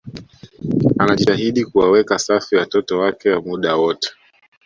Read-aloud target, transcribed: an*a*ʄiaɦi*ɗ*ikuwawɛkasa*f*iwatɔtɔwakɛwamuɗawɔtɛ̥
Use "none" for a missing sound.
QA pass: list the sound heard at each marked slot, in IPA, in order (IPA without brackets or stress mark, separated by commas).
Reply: a, ɗ, f